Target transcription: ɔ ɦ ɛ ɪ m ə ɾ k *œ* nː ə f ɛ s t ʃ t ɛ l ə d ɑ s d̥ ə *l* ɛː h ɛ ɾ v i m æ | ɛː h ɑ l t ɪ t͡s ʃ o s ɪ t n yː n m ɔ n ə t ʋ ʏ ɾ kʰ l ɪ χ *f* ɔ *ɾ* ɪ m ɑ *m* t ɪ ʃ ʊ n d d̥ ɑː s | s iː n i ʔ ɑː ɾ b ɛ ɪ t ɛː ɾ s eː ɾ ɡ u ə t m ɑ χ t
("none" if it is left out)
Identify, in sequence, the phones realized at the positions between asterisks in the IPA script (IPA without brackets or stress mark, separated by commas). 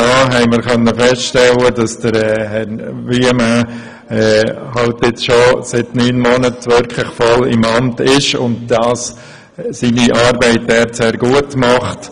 œ, ɾ, f, l, m